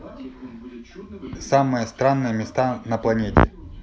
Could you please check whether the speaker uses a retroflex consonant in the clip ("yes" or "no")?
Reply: no